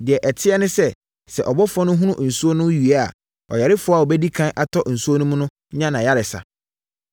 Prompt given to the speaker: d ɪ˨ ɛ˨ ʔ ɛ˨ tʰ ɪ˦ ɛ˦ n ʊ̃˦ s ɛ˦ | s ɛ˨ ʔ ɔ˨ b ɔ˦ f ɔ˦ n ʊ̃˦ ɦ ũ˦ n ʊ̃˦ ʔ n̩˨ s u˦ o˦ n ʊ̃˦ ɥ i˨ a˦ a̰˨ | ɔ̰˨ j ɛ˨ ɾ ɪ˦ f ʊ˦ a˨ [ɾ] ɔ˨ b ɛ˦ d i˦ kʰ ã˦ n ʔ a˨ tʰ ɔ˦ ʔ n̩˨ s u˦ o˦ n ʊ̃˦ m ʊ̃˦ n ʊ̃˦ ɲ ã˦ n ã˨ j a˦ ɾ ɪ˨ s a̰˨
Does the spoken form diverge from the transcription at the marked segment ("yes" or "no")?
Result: yes